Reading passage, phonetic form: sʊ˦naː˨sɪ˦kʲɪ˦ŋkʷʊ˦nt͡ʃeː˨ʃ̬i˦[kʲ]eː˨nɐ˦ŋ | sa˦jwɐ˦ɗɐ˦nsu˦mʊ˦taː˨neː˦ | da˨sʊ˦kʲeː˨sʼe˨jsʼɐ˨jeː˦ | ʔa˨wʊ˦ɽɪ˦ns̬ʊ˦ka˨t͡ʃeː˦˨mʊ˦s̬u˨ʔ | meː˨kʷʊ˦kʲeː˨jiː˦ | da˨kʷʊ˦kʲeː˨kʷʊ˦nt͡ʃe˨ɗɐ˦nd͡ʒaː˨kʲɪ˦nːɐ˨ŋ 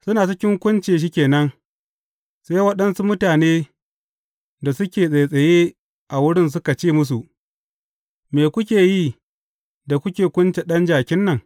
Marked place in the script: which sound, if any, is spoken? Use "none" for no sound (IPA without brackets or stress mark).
kʲ